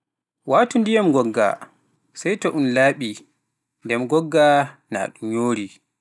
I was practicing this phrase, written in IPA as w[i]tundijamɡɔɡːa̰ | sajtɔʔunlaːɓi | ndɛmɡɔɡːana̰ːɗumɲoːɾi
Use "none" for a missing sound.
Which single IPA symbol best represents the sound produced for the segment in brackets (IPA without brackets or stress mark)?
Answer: a